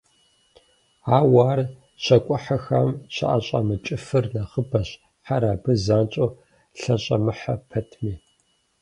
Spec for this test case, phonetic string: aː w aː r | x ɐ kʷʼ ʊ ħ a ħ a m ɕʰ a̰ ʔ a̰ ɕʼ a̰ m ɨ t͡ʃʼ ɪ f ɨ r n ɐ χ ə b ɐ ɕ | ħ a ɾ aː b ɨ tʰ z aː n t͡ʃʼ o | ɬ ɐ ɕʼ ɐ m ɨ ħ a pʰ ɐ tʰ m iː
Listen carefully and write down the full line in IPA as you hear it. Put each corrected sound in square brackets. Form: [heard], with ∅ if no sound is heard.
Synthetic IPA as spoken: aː w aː r | [ɕ] ɐ kʷʼ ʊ ħ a [x] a m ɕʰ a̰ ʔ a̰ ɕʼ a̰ m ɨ t͡ʃʼ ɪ f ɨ r n ɐ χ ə b ɐ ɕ | ħ a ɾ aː b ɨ [∅] z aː n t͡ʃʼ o | ɬ ɐ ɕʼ ɐ m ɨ ħ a pʰ ɐ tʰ m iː